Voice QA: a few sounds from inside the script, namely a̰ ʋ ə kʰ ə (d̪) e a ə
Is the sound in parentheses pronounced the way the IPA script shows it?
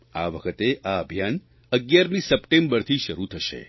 no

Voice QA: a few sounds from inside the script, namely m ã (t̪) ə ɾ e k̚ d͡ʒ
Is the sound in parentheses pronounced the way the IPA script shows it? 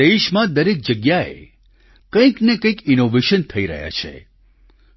no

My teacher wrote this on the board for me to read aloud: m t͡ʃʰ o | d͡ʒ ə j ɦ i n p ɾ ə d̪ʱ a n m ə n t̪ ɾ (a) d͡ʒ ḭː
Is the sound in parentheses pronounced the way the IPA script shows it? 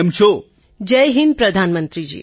no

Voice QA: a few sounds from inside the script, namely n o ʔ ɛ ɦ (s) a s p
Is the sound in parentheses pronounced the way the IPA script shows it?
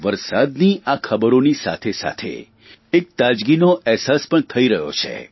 yes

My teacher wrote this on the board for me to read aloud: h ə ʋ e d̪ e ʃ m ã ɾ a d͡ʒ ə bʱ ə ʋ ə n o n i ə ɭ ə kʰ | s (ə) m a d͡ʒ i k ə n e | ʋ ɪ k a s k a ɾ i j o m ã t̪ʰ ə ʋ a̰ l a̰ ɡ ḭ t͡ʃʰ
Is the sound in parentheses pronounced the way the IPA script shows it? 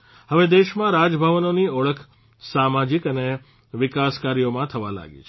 no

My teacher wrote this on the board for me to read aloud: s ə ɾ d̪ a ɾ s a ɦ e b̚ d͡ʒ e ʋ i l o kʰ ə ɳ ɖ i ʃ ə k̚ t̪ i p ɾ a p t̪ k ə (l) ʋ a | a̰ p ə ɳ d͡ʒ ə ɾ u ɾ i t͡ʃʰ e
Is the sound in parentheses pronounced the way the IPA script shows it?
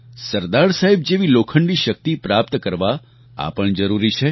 no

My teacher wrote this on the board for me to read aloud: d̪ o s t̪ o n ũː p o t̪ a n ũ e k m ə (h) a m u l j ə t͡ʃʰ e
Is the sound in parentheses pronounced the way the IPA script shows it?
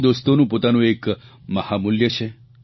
yes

